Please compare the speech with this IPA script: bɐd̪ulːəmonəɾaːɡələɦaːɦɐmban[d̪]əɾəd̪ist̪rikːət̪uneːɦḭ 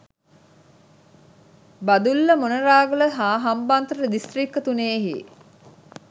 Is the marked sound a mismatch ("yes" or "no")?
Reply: yes